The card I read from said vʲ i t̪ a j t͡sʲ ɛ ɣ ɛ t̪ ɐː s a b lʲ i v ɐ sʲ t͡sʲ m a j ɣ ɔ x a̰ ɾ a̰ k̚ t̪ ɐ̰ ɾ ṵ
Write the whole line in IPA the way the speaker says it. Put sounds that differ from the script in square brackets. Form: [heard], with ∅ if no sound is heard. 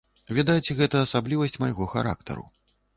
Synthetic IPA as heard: vʲ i [d̪] a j t͡sʲ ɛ ɣ ɛ t̪ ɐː s a b lʲ i v ɐ sʲ t͡sʲ m a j ɣ ɔ x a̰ ɾ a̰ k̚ t̪ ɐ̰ ɾ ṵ